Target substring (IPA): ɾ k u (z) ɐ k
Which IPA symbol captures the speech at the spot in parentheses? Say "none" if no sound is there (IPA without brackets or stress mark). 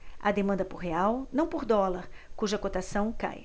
ʒ